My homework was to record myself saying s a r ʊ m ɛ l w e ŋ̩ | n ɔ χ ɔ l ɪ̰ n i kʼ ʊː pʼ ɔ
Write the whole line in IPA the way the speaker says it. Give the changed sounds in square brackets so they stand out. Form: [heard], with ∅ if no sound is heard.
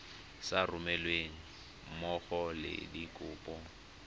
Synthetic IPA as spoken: s a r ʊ m ɛ l w e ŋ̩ | [m] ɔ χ ɔ l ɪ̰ [d] i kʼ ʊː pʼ ɔ